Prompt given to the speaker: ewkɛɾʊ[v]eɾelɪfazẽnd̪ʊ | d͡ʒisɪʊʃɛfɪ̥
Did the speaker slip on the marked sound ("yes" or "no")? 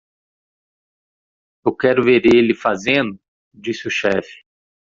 no